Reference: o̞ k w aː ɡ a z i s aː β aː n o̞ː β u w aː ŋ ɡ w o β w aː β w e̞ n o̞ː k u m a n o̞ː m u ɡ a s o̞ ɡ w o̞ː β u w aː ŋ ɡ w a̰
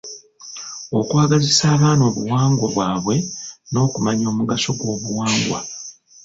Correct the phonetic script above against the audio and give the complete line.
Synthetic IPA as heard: o̞ k w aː ɡ a z i s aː β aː n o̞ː β u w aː ŋ ɡ w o β w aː β w e̞ n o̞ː k u m a ɲ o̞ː m u ɡ a s o̞ ɡ w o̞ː β u w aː ŋ ɡ w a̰

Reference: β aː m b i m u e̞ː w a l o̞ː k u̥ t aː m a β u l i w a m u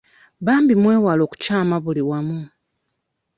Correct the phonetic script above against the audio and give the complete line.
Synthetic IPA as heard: β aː m b i m w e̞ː w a l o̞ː k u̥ c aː m a β u l i w a m u

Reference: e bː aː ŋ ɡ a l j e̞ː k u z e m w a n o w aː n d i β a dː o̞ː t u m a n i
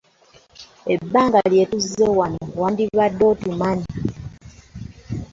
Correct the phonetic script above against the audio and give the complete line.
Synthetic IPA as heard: e bː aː ŋ ɡ a l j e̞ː t u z e w a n o w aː n d i β a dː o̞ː t u m a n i

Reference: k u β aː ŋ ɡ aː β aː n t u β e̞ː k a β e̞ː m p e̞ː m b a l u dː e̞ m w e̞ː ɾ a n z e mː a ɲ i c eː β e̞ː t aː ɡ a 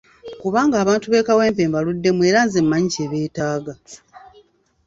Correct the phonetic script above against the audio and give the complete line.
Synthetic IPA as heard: k u β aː ŋ ɡ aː β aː n t u β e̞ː k a w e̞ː m p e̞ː m b a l u dː e̞ m w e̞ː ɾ a n z e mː a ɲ i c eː β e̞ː t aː ɡ a

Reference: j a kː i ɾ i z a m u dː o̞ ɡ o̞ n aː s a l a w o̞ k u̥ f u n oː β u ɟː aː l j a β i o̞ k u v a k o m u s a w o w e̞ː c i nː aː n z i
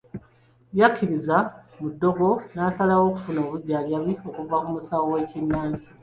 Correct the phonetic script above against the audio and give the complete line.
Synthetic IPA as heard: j a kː i ɾ i z a m u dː o̞ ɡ o̞ n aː s a l a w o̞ k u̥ f u n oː β u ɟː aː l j a β i o̞ k u v a k u m u s a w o w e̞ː c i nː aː n z i

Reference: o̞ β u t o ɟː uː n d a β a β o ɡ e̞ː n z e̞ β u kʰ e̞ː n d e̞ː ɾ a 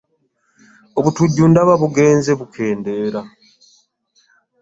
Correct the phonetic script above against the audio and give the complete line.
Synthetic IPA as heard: o̞ β u t u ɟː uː n d a β a β u ɡ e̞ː n z e̞ β u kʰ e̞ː n d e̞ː ɾ a

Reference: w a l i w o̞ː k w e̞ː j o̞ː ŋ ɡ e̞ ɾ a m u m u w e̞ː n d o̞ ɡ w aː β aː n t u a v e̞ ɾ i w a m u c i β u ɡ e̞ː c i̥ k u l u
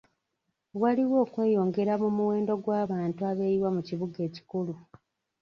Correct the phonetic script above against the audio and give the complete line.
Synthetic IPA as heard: w a l i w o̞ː k w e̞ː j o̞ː ŋ ɡ e̞ ɾ a m u m u w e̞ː n d o̞ ɡ w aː β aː n t u a β e̞ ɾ i w a m u c i β u ɡ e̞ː c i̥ k u l u

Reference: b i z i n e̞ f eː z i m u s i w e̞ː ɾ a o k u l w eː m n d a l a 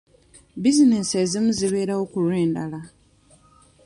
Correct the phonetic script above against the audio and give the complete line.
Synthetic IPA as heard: b i z i n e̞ s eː z i m u z i β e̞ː ɾ a o k u l w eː n d a l a

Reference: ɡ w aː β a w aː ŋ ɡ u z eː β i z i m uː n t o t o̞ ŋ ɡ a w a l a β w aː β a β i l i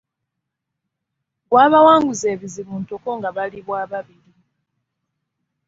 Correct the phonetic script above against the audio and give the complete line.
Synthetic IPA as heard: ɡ w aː β a w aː ŋ ɡ u z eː β i z i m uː n t o k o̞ ŋ ɡ a β a l i β w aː β a β i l i

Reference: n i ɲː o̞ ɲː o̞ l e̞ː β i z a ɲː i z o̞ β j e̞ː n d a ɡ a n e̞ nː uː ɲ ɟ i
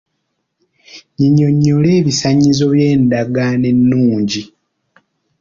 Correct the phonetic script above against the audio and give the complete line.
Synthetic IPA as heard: ɲ i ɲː o̞ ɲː o̞ l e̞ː β i s a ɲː i z o̞ β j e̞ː n d a ɡ a n e̞ nː uː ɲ ɟ i

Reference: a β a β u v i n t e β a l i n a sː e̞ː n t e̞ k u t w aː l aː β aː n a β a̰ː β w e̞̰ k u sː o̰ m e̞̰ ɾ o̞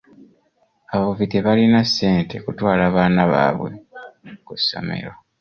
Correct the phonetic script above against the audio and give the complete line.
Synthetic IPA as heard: a β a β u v i t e β a l i n a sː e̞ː n t e̞ k u t w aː l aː β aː n a β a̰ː β w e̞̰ k u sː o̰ m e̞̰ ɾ o̞

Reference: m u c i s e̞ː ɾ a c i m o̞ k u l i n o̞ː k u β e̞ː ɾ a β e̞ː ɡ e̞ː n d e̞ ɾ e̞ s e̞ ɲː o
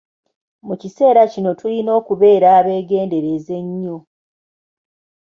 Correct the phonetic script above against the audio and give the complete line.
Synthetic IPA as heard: m u c i s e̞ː ɾ a c i n o̞ t u l i n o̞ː k u β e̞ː ɾ a β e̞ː ɡ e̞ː n d e̞ ɾ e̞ z e̞ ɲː o

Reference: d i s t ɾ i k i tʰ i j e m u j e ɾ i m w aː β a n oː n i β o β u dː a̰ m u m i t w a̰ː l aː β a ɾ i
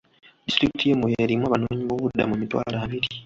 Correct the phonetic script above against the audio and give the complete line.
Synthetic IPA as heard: d i s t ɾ i k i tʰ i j e m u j e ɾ i m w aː β a n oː ɲ i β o β u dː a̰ m u m i t w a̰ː l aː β i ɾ i

